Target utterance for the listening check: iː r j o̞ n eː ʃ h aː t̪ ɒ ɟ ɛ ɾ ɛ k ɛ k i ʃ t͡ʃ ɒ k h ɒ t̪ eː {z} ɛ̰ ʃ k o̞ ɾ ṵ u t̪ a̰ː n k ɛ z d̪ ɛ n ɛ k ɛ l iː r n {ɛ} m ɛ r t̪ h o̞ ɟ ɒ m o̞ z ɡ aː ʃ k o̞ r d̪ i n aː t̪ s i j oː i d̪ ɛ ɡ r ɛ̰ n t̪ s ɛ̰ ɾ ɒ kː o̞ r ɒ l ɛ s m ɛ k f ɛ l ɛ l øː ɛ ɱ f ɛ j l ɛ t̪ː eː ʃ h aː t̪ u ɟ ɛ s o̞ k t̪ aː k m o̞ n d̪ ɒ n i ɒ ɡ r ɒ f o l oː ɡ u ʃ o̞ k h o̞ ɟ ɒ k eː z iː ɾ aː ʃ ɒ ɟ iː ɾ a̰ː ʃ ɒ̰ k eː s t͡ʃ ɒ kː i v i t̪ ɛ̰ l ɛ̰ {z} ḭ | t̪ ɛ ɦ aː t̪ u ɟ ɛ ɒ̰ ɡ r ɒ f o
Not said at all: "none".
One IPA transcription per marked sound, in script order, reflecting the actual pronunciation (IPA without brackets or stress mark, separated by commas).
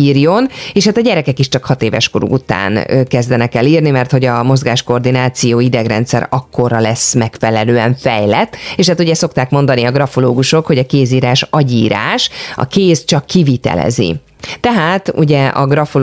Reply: v, i, z